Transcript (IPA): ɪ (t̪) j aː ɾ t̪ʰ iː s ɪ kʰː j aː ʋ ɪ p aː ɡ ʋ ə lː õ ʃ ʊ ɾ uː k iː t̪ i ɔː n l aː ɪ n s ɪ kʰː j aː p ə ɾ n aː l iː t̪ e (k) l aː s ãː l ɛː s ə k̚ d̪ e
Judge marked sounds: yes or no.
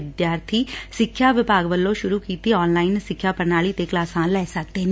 no, yes

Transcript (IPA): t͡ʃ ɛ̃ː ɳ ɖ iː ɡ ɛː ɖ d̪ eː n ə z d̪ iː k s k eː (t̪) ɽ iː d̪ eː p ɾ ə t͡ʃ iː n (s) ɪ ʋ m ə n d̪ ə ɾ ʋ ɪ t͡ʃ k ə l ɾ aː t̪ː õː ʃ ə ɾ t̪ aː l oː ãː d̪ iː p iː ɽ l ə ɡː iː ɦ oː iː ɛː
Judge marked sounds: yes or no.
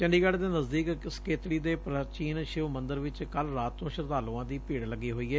yes, no

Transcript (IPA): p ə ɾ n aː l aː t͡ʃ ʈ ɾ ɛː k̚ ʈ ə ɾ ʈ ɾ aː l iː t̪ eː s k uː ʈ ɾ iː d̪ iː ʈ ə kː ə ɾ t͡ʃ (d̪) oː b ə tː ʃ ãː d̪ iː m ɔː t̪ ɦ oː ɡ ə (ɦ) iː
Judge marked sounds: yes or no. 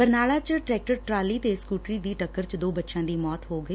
yes, no

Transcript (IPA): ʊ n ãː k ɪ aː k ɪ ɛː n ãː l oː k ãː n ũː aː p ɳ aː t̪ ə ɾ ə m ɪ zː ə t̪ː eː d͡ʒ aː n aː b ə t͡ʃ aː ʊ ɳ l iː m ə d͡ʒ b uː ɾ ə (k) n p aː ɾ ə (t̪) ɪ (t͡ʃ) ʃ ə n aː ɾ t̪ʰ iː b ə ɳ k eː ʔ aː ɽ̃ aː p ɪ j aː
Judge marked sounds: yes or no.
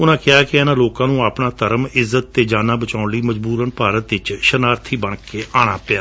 no, yes, yes

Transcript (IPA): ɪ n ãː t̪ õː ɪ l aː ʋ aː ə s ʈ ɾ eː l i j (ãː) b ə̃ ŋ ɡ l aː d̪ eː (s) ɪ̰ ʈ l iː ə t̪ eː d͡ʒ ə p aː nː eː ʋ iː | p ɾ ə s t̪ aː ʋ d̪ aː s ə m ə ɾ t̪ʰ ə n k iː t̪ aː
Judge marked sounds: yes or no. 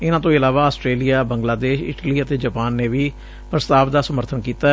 no, no

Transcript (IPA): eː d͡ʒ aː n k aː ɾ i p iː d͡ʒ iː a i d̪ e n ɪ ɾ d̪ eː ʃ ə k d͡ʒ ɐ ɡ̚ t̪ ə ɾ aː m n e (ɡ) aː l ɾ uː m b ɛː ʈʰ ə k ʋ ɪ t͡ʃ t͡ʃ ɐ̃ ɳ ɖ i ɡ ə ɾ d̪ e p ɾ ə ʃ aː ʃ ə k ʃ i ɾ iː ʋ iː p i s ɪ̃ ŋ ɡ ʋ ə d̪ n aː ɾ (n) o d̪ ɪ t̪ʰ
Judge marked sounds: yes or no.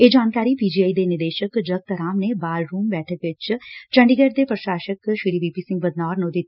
no, yes

